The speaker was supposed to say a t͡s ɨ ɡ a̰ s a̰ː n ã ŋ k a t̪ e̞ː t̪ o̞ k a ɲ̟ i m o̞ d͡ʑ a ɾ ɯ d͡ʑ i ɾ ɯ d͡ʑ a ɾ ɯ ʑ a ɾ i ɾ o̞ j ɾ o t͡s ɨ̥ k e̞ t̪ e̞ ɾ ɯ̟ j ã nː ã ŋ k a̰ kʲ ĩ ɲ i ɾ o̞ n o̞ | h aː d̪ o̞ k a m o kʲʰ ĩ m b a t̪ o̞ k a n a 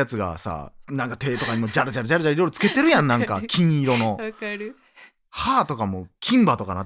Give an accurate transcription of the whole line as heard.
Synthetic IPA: a t͡s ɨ ɡ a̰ s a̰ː n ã ŋ k a t̪ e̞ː t̪ o̞ k a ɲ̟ i m o̞ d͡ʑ a ɾ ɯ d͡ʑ a ɾ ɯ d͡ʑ a ɾ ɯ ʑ a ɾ i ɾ o̞ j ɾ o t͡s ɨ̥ k e̞ t̪ e̞ ɾ ɯ̟ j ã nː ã ŋ k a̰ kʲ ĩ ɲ i ɾ o̞ n o̞ | h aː t̪ o̞ k a m o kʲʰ ĩ m b a t̪ o̞ k a n a